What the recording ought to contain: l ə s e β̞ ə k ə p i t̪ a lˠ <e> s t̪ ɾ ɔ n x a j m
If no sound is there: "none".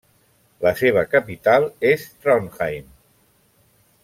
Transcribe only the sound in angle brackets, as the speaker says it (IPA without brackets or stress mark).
e